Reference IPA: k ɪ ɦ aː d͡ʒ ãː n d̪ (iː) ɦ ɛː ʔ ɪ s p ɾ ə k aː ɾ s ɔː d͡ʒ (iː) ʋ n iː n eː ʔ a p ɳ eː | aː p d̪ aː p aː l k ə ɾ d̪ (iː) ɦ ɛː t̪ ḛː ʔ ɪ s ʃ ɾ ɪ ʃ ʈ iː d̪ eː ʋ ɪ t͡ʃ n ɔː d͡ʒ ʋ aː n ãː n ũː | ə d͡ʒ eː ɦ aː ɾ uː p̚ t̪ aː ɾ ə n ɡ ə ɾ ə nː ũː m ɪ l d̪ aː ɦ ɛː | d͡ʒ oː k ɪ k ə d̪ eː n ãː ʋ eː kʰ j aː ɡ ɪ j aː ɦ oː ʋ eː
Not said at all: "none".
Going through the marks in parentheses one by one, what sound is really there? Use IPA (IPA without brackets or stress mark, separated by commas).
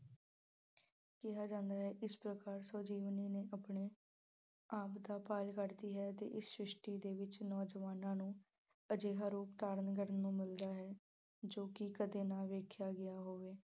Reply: aː, iː, iː